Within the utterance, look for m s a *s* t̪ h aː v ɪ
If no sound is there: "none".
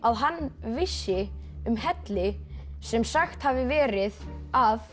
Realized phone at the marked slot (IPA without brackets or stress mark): x